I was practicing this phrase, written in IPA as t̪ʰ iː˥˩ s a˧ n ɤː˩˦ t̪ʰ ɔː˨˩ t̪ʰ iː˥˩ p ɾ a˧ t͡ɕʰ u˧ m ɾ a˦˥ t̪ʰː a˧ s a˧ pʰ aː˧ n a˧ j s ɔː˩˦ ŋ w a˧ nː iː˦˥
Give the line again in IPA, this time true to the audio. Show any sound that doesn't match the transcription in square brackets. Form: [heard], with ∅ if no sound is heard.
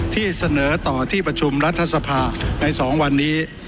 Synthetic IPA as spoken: t̪ʰ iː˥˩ s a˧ n ɤː˩˦ [t̪] ɔː˨˩ t̪ʰ iː˥˩ p ɾ a˧ t͡ɕʰ u˧ m ɾ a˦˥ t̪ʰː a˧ s a˧ pʰ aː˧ n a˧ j s ɔː˩˦ ŋ w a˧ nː iː˦˥